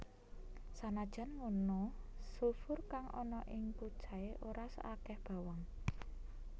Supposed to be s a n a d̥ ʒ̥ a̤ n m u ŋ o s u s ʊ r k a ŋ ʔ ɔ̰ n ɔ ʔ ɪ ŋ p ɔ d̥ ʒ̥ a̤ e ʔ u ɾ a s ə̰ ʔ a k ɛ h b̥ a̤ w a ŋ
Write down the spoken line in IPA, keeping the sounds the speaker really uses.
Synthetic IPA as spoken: s a n a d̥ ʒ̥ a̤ n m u n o s u f ʊ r k a ŋ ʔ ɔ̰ n ɔ ʔ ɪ ŋ p u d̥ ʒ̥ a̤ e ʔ o ɾ a s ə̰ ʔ a k ɛ h b̥ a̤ w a ŋ